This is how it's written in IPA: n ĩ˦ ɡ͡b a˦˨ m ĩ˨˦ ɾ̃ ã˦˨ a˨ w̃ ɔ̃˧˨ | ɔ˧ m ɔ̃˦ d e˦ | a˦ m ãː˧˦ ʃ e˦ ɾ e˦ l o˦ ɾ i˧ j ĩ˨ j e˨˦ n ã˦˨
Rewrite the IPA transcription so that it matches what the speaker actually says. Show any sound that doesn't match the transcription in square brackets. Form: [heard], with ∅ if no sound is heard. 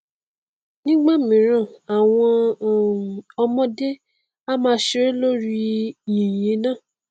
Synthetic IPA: n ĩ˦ ɡ͡b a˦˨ m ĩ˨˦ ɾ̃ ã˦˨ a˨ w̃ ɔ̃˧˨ | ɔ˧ m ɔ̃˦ d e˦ | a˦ m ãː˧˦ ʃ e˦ ɾ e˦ l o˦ ɾ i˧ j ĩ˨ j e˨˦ n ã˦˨